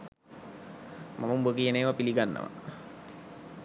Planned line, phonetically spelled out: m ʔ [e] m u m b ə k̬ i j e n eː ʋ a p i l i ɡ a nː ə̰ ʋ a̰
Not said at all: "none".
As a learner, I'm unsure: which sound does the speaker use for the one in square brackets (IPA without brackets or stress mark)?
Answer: a